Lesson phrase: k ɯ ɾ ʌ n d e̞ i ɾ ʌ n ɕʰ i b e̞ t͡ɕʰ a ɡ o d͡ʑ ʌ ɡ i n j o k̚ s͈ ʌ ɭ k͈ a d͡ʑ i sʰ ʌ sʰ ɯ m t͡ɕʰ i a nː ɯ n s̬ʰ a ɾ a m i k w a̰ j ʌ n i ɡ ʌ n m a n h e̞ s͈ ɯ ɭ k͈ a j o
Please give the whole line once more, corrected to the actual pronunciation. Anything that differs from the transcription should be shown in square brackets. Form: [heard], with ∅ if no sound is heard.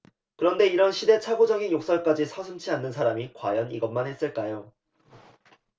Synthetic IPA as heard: k ɯ ɾ ʌ n d e̞ i ɾ ʌ n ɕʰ i [d] e̞ t͡ɕʰ a ɡ o d͡ʑ ʌ ɡ i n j o k̚ s͈ ʌ ɭ k͈ a d͡ʑ i sʰ ʌ sʰ ɯ m t͡ɕʰ i a nː ɯ n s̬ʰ a ɾ a m i k w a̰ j ʌ n i ɡ ʌ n m a n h e̞ s͈ ɯ ɭ k͈ a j o